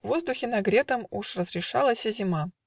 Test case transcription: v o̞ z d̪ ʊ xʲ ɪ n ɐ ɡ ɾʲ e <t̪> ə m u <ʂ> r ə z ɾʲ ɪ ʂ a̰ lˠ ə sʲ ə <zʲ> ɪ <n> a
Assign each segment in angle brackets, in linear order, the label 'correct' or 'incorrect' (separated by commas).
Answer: correct, correct, correct, incorrect